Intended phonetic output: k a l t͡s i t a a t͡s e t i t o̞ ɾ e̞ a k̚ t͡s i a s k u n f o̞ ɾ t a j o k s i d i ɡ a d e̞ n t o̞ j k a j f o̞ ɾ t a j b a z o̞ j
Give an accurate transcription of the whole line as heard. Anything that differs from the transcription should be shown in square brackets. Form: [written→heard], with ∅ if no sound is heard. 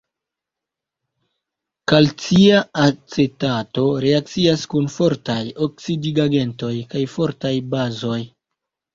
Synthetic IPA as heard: k a l t͡s i [t→∅] a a t͡s e t [i→a] t o̞ ɾ e̞ a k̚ t͡s i a s k u n f o̞ ɾ t a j o k s i d i ɡ a [d→ɡ] e̞ n t o̞ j k a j f o̞ ɾ t a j b a z o̞ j